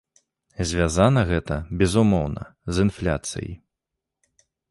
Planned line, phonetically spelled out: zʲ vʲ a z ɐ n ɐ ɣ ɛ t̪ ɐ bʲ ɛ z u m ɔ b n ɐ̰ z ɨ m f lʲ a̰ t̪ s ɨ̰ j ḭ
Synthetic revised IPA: zʲ vʲ a z a n ɐ ɣ ɛ t̪ ɐ bʲ ɛ z u m ɔ w n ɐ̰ z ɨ n f lʲ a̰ t̪ s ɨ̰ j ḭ